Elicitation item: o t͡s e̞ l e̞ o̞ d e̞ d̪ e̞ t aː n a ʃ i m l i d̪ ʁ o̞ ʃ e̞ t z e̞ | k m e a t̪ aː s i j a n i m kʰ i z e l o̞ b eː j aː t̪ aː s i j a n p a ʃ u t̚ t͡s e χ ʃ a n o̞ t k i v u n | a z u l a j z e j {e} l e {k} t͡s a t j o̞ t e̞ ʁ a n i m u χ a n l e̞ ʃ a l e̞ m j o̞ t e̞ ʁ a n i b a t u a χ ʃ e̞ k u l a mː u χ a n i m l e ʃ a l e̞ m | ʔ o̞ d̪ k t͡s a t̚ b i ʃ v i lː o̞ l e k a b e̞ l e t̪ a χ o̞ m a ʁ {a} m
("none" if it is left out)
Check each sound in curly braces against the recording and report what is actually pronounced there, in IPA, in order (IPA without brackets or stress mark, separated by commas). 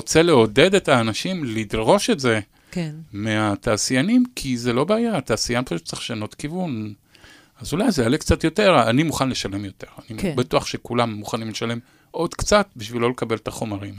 a, k, i